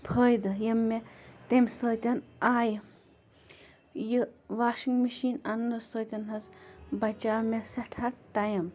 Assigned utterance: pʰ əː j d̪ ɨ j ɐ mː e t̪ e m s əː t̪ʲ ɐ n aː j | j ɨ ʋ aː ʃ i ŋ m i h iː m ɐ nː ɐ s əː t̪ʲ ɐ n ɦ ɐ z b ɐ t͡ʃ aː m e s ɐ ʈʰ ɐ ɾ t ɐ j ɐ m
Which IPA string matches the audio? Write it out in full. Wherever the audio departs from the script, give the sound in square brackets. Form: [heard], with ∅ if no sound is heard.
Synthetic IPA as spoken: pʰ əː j d̪ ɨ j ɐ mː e t̪ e m s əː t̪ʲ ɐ n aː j | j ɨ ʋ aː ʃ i ŋ m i [ʃ] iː [n] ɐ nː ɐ s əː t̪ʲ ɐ n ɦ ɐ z b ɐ t͡ʃ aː m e s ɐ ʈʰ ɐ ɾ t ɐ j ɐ m